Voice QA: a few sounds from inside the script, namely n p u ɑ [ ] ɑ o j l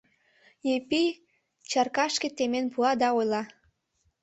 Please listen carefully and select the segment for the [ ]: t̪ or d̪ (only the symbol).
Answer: d̪